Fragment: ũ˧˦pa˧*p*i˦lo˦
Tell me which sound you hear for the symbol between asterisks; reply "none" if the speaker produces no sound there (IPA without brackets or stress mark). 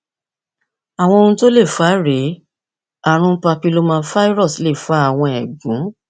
p